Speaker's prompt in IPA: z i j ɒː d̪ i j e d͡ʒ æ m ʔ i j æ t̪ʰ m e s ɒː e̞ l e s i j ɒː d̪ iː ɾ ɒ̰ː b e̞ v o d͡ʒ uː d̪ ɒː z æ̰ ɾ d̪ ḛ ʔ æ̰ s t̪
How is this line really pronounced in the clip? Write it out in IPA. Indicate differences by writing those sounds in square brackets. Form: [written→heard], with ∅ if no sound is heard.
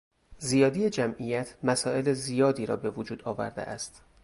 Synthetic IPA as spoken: z i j ɒː d̪ i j e d͡ʒ æ m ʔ i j æ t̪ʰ m [e→æ] s ɒː e̞ l e [s→z] i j ɒː d̪ iː ɾ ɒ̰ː b e̞ v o d͡ʒ uː d̪ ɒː [z→v] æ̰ ɾ d̪ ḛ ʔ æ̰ s t̪